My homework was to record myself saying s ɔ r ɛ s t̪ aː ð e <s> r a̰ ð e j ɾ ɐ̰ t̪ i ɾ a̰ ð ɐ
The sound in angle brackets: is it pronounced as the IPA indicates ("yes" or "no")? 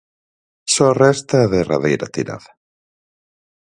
no